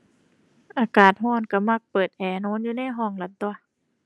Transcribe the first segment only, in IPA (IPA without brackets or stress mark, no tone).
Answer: ʔ